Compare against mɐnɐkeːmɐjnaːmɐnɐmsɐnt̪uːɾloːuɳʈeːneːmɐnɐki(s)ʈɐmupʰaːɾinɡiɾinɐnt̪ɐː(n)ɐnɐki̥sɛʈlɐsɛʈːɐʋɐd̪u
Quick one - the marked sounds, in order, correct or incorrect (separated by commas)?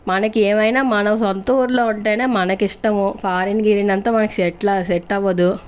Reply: incorrect, incorrect